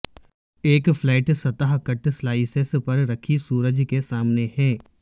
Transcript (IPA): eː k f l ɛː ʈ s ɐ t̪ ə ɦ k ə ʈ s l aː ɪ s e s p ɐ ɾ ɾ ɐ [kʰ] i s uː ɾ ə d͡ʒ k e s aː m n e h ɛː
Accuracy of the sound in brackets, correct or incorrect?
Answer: correct